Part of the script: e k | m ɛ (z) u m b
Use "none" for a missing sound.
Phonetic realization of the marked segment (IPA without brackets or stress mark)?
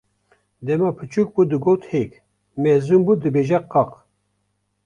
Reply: z